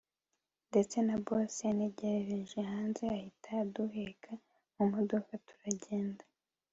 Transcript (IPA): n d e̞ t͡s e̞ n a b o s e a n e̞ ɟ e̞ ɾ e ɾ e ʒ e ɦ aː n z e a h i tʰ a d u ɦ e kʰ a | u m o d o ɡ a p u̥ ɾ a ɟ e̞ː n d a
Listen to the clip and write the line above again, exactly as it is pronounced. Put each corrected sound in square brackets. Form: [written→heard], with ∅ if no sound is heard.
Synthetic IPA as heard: n d e̞ t͡s e̞ n a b o s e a n e̞ ɟ e̞ ɾ e ɾ e ʒ e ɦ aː n z e a h i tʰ a d u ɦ e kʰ a | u m o d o [ɡ→k] a [p→t] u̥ ɾ a ɟ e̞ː n d a